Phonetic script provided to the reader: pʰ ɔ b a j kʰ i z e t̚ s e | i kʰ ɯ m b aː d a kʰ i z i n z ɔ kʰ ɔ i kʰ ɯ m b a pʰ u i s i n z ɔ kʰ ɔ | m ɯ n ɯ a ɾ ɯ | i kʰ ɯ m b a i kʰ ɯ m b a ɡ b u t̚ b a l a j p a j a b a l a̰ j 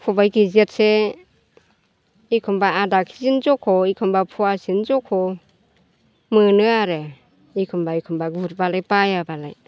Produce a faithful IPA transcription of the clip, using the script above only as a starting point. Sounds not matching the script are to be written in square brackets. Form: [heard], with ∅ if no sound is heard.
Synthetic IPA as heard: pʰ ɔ b a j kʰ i z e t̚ s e | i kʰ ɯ m b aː d a kʰ i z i n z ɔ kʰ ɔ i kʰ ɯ m b a pʰ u [a] s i n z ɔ kʰ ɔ | m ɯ n ɯ a ɾ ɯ | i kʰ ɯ m b a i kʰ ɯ m b a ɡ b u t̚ b a l a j p a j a b a l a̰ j